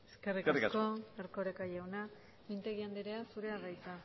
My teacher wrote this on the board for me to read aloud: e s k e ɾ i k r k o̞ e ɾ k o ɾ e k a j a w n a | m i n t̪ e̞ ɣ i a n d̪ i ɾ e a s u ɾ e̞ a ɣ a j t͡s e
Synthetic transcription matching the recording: e s k e r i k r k o̞ e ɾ k o ɾ e k a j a w n a | m i n t̪ e̞ ɣ i a n d̪ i ɾ e a s u ɾ e̞ a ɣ a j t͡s a